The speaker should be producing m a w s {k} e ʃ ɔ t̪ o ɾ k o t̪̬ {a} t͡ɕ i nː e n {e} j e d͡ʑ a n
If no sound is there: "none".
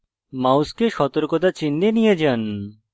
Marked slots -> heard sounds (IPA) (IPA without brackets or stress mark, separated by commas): k, a, i